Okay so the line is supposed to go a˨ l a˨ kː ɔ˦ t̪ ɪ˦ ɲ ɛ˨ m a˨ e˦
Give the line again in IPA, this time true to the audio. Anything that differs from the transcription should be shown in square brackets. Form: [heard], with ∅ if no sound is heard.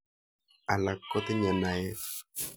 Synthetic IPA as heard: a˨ l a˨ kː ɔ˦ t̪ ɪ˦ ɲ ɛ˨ [n] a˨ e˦